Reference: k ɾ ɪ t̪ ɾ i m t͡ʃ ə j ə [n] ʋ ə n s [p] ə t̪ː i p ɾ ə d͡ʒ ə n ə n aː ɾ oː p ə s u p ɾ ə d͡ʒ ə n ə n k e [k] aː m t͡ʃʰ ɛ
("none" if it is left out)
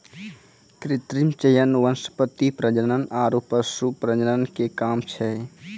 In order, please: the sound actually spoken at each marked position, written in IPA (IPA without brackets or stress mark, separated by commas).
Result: n, p, k